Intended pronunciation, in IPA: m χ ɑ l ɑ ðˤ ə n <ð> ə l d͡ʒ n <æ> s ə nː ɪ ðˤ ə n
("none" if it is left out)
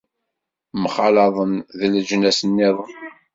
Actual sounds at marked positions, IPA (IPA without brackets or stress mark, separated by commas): ð, æ